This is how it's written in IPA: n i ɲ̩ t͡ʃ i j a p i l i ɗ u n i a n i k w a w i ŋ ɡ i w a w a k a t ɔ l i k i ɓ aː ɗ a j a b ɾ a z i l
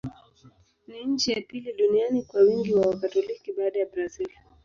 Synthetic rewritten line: n i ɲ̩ t͡ʃ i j a p i l i ɗ u n i a n i k w a w i ŋ ɡ i w a w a k a t ɔ l i k i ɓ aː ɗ a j a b ɾ a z i l